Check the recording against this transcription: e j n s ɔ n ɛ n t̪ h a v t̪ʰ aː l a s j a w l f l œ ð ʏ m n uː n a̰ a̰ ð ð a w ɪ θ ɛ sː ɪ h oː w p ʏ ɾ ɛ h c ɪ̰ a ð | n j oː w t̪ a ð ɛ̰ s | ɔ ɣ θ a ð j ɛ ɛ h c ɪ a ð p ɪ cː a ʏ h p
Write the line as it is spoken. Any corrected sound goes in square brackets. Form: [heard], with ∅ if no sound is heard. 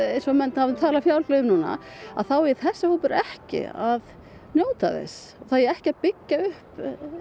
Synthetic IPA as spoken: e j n s ɔ [m] ɛ n t̪ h a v t̪ʰ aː l a [f] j a w l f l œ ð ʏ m n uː n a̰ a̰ ð [θ] a w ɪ θ ɛ sː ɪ h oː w p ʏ ɾ ɛ h c ɪ̰ a ð | n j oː w t̪ a ð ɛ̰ s | ɔ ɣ θ a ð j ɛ ɛ h c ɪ a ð p ɪ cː a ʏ h p